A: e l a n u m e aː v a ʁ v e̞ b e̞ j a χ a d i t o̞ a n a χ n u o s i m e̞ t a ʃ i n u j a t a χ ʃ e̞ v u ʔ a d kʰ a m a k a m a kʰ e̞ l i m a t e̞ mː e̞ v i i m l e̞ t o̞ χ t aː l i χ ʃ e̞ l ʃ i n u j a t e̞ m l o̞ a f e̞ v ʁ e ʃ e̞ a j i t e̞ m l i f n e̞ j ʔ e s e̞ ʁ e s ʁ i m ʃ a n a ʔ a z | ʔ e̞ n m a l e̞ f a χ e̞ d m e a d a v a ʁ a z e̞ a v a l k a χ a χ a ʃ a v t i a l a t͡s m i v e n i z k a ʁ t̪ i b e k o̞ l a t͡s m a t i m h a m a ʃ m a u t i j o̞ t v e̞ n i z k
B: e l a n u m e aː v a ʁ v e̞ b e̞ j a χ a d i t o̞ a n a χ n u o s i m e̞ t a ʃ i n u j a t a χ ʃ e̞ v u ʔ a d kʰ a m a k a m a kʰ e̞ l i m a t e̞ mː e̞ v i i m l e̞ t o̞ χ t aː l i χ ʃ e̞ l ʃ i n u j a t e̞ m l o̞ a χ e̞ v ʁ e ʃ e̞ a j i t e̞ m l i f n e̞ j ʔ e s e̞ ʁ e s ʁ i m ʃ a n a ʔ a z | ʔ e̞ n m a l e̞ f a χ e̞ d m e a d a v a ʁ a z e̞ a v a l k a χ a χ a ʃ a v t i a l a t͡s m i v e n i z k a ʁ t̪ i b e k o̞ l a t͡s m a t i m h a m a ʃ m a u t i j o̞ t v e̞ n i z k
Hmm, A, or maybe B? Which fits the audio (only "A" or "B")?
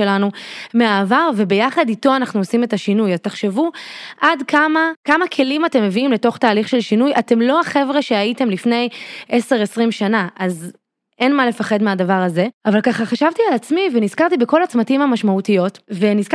B